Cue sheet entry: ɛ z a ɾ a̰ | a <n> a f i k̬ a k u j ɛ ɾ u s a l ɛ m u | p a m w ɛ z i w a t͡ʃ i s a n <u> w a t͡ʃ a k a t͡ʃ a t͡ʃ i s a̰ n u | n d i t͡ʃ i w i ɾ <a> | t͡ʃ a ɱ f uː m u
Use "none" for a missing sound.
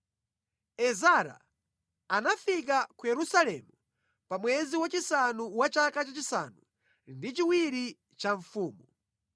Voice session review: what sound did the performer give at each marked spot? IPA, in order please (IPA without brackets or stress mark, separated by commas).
n, u, i